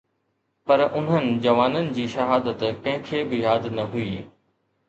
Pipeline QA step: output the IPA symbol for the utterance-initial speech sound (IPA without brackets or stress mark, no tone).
p